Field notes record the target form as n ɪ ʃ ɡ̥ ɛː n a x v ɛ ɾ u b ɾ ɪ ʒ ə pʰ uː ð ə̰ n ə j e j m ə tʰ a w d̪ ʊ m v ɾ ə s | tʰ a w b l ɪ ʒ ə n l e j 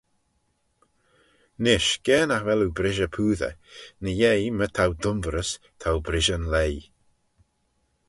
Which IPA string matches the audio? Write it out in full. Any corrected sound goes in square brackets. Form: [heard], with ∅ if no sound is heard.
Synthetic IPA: n ɪ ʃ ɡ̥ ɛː n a x v ɛ [l] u b ɾ ɪ ʒ ə pʰ uː ð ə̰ n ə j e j m ə tʰ a w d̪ ʊ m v ɾ ə s | tʰ a w b [ɾ] ɪ ʒ ə n l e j